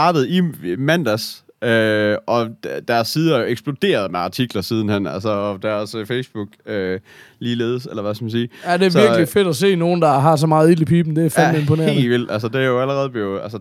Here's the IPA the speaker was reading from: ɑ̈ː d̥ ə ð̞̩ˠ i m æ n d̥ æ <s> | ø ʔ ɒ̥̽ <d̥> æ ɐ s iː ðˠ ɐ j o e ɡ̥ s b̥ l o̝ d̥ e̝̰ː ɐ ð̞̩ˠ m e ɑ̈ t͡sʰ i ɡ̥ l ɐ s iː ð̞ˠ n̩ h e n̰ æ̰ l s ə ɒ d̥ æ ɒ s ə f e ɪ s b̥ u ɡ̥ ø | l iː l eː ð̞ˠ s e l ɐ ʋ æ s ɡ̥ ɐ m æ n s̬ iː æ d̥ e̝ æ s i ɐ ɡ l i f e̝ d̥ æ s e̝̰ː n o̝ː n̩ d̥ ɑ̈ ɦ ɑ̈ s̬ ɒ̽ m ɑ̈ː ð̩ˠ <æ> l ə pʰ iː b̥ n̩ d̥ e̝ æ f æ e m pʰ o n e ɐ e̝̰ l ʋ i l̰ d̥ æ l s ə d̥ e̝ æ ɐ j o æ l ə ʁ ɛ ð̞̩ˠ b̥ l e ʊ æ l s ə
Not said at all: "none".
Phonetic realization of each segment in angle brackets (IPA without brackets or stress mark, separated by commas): s, d̥, i